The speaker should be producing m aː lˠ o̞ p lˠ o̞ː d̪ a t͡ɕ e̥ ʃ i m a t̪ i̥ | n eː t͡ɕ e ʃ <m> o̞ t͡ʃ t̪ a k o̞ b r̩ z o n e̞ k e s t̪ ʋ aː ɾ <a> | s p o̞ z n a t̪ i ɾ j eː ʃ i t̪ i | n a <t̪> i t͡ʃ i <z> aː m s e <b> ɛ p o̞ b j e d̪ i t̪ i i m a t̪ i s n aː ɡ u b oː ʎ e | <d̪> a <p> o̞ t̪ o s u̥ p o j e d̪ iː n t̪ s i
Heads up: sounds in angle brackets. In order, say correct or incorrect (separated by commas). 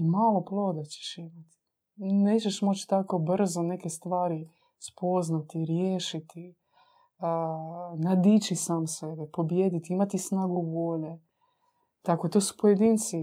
correct, incorrect, incorrect, incorrect, correct, incorrect, incorrect